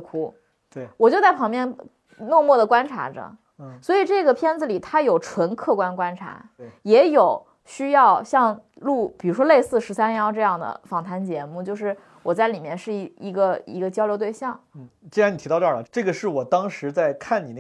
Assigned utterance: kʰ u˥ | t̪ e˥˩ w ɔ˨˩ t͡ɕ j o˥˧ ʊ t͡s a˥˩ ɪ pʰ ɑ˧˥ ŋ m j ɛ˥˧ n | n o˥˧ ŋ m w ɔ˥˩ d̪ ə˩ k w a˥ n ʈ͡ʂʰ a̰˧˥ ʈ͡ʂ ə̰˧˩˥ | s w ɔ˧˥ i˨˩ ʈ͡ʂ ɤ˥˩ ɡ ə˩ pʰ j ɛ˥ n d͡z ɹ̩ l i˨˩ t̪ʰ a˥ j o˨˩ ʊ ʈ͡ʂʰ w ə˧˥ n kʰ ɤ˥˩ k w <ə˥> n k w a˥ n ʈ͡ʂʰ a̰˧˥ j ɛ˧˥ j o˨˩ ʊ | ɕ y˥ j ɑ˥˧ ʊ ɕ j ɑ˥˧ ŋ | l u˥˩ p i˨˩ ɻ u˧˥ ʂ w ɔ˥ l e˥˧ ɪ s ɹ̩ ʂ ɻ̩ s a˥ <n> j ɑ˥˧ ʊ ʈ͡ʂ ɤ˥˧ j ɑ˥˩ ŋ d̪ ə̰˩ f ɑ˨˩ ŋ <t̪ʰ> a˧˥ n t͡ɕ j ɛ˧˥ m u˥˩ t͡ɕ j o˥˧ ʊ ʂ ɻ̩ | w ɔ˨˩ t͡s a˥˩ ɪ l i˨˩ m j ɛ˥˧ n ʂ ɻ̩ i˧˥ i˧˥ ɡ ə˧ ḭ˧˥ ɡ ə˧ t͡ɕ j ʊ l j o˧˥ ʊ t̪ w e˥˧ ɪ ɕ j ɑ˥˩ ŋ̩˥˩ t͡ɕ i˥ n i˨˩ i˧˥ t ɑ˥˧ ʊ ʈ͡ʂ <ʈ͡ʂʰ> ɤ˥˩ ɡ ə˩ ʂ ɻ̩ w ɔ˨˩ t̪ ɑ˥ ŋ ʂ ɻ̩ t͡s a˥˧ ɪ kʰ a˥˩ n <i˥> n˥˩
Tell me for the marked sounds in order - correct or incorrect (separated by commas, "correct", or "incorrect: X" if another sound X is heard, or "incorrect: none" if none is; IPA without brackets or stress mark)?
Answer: incorrect: a˥, correct, correct, incorrect: ʈ͡ʂ, incorrect: i˨˩